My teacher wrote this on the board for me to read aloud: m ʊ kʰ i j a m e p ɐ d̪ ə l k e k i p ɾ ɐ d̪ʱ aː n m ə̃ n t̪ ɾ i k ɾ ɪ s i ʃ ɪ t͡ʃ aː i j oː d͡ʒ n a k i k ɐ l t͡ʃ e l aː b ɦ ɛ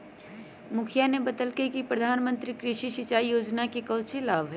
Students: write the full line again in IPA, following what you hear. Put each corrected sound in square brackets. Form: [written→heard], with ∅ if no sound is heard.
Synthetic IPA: m ʊ kʰ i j a [m→n] e [p→b] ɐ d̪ ə l k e k i p ɾ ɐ d̪ʱ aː n m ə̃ n t̪ ɾ i k ɾ ɪ [s→ʃ] i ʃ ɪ t͡ʃ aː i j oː d͡ʒ n a k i k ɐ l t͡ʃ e l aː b ɦ ɛ